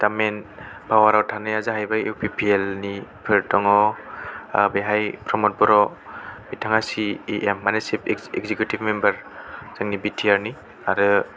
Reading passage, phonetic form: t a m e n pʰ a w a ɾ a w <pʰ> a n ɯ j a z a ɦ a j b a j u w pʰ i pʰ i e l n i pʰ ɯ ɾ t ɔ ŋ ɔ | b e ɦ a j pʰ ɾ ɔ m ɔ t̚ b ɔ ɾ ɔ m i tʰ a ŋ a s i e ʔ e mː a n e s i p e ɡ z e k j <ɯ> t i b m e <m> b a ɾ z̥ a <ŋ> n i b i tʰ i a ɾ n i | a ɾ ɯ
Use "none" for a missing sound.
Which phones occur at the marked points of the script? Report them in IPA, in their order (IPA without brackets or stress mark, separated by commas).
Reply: tʰ, u, m, ŋ